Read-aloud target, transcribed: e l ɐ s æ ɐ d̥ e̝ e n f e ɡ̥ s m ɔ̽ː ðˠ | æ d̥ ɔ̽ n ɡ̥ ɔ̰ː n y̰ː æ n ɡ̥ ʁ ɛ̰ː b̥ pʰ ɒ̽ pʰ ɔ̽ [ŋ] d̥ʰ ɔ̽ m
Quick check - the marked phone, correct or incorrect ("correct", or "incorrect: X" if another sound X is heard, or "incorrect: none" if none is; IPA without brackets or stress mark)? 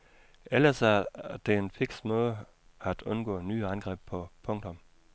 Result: correct